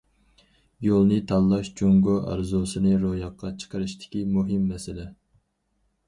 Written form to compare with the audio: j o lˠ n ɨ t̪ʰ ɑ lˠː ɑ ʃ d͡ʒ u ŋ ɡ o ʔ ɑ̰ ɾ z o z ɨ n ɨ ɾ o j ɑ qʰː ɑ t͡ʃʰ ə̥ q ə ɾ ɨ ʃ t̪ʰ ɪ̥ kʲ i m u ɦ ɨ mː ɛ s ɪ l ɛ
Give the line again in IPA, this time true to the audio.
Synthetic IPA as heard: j o lˠ n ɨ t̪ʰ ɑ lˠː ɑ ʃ d͡ʒ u ŋ ɡ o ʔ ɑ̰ ɾ z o s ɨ n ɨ ɾ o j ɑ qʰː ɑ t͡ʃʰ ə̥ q ə ɾ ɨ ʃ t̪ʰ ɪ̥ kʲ i m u ɦ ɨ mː ɛ s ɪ l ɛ